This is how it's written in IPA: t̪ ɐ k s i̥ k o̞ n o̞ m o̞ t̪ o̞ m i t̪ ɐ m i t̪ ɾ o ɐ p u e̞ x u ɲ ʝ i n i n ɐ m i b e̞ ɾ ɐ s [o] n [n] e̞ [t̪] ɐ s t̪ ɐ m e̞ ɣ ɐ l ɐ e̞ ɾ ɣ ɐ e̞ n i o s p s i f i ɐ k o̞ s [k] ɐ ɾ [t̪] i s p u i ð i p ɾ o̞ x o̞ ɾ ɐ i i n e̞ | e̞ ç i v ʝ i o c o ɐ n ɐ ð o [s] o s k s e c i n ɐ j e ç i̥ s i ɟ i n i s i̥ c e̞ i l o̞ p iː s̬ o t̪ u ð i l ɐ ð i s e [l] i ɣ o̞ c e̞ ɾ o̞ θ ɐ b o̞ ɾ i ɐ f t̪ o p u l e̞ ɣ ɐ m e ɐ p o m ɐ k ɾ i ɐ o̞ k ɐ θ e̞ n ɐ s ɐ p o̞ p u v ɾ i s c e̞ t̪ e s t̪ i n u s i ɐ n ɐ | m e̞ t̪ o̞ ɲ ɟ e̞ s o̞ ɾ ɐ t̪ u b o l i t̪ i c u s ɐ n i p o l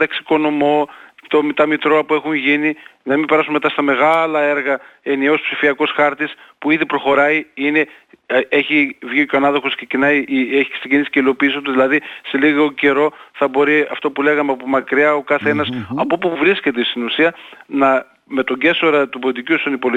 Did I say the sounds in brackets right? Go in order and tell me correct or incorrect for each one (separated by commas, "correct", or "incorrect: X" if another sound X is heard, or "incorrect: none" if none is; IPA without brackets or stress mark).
incorrect: u, incorrect: m, correct, incorrect: x, correct, incorrect: x, correct